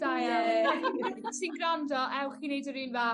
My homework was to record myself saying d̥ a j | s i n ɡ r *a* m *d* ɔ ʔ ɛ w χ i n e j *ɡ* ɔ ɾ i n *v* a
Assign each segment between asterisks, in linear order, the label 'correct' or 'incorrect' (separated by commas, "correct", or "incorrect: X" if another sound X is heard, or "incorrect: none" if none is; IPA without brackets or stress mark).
correct, correct, incorrect: d, correct